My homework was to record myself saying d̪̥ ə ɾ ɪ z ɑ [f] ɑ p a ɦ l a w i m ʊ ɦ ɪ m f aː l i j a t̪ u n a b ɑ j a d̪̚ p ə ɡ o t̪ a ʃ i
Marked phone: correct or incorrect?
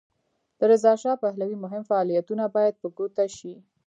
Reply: incorrect: ʃ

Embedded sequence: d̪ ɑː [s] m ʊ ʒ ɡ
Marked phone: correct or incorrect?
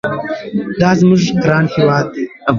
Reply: incorrect: z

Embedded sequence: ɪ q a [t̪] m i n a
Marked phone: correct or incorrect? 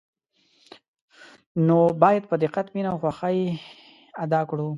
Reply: correct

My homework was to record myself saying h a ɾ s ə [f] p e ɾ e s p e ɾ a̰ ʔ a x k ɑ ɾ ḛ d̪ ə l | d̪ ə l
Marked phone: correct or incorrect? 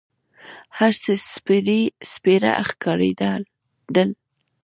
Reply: incorrect: s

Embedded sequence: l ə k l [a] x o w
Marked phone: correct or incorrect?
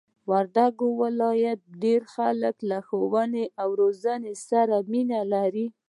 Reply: correct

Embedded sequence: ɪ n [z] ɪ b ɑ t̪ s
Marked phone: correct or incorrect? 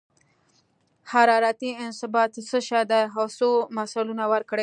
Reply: incorrect: s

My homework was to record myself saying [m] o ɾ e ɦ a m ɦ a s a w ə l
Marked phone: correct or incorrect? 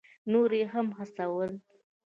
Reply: incorrect: n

